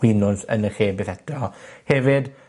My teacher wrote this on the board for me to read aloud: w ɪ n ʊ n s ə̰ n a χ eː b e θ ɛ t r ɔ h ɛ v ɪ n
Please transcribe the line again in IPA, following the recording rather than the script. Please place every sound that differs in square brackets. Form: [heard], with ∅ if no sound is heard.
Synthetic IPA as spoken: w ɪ n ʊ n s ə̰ n [ə] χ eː b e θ ɛ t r ɔ h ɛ v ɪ [d]